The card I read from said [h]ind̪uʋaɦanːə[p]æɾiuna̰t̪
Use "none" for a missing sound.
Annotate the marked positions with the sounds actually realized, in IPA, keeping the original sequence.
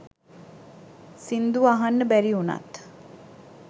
s, b

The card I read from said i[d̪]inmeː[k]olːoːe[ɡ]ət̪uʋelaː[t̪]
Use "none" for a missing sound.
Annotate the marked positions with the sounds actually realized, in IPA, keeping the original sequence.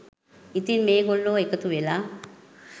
t̪, ɡ, k, none

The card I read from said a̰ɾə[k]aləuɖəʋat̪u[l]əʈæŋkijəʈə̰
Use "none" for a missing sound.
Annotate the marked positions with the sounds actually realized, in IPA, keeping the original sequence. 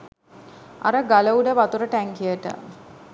ɡ, ɾ

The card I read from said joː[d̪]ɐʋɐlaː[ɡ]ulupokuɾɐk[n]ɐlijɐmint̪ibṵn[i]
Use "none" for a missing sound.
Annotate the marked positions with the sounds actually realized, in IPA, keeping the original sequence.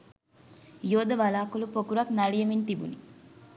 d̪, k, n, i

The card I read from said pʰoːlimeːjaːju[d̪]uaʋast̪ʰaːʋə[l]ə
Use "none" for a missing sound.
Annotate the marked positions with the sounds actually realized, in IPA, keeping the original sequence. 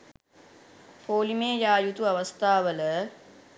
t̪, l

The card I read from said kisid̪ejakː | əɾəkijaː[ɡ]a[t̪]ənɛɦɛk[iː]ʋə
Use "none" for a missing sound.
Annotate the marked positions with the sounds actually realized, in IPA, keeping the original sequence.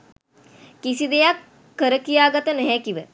ɡ, t̪, i

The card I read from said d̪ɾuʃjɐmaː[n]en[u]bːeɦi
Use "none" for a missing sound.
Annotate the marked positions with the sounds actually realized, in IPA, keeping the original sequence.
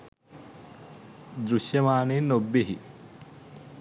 n, o

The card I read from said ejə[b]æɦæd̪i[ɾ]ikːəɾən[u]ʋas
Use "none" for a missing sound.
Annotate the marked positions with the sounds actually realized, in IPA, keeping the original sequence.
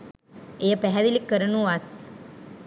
p, l, u

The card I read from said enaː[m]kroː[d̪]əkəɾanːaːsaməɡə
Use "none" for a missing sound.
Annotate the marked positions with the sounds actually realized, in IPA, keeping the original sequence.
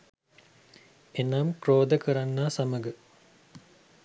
m, d̪

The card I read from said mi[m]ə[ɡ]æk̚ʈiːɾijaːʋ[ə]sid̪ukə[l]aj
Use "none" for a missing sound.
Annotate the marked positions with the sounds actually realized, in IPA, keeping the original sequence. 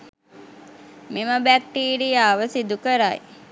m, b, ə, ɾ

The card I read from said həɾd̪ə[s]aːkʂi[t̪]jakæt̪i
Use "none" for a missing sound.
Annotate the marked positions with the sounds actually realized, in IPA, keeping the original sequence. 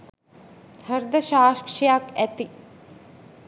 ʃ, none

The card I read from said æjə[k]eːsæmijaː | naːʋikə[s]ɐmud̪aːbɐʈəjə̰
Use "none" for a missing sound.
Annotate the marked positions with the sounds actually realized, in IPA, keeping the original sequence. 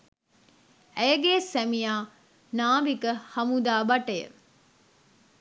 ɡ, h

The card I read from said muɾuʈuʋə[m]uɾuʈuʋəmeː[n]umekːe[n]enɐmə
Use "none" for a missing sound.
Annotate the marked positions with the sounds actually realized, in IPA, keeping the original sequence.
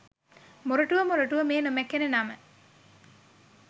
m, n, n

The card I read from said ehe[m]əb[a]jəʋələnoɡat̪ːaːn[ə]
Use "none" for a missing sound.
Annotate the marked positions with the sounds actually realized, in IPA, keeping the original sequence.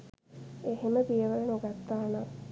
m, i, a

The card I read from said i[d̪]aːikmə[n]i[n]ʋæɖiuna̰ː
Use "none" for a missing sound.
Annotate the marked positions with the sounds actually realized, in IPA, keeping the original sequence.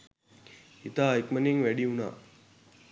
t̪, n, ŋ

